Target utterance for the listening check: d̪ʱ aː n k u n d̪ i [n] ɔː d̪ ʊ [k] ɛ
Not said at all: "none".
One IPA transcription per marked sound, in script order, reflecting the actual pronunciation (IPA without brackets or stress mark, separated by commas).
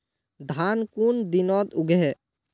n, ɡ